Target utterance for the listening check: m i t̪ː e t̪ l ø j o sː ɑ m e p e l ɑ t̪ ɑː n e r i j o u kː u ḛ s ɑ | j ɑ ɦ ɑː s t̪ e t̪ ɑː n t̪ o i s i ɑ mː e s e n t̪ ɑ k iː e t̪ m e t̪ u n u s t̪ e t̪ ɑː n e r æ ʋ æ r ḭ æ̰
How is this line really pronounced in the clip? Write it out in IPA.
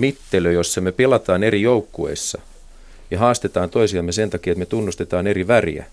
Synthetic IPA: m i t̪ː e l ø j o sː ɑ m e p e l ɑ t̪ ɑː n e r i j o u kː u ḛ sː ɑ | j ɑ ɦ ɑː s t̪ e t̪ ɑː n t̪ o i s i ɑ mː e s e n t̪ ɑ k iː e t̪ m e t̪ u nː u s t̪ e t̪ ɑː n e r i ʋ æ r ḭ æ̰